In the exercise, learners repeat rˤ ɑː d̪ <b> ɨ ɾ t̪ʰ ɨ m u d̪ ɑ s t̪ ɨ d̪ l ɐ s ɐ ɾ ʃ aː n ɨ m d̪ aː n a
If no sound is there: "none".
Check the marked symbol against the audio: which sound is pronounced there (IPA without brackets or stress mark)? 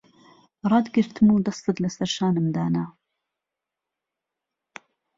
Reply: ɡ